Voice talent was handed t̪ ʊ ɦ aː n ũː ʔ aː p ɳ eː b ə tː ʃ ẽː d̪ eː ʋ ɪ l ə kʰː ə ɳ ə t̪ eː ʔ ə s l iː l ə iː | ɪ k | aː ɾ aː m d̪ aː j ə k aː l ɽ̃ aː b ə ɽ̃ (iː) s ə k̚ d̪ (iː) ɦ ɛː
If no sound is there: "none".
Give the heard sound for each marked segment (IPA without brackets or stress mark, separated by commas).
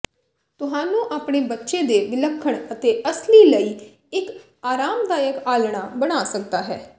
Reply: aː, aː